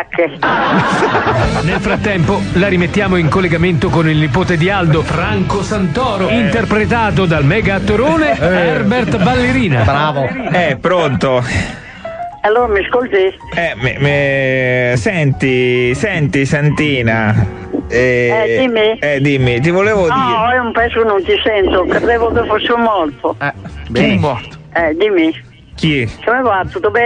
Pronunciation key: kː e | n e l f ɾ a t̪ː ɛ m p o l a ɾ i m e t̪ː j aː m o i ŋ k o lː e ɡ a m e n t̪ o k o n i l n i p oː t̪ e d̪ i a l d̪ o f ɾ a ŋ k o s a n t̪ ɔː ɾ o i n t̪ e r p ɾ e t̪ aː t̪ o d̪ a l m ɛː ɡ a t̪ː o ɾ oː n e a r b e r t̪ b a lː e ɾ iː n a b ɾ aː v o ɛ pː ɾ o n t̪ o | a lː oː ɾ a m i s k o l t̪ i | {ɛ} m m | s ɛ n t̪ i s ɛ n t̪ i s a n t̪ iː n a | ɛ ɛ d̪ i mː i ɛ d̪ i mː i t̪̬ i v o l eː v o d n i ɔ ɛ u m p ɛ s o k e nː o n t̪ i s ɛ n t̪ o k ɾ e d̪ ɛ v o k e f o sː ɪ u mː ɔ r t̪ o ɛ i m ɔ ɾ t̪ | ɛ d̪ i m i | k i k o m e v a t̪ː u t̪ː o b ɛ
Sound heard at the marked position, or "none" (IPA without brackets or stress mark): ɛ